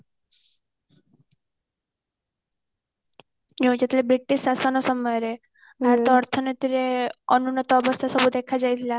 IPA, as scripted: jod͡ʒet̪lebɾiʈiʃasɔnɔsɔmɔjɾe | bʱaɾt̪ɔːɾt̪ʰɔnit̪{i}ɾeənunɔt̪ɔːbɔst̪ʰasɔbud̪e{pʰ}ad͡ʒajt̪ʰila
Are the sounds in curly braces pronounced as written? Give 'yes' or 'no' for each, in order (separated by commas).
yes, no